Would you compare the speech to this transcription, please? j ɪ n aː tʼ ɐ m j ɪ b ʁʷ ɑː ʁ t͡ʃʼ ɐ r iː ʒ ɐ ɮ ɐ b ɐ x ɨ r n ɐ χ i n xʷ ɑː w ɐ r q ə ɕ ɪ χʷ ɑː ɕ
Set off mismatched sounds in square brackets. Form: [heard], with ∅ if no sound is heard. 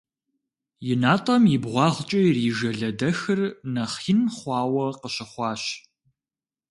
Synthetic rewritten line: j ɪ n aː tʼ ɐ m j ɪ b ʁʷ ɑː ʁ t͡ʃʼ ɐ r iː ʒ ɐ ɮ ɐ [d] ɐ x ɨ r n ɐ χ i n [χʷ] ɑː w ɐ [∅] q ə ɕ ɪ χʷ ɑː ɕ